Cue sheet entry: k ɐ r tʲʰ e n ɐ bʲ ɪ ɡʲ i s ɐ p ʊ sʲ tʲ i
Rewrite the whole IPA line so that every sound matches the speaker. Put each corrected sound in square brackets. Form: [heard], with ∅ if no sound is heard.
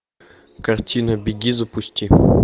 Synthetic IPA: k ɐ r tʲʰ [i] n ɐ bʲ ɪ ɡʲ i [z] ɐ p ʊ sʲ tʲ i